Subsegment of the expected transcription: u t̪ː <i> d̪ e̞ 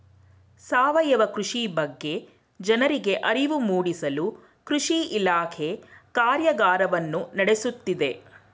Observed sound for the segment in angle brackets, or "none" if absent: i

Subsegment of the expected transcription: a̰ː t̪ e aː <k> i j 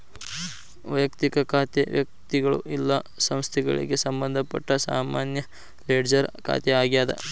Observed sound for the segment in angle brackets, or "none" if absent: ɡ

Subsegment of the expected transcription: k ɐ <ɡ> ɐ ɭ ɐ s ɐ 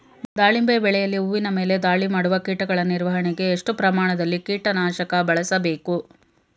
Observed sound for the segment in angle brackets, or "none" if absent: b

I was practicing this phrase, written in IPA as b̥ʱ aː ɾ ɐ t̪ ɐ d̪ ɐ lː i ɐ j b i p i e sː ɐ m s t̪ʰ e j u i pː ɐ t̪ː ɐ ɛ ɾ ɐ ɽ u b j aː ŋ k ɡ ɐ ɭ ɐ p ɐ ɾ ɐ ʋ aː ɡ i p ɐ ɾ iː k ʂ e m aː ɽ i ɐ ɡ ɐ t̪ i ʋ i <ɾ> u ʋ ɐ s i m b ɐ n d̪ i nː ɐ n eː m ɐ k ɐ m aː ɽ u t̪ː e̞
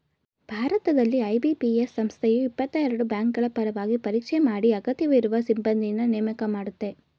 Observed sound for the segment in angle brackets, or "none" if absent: ɾ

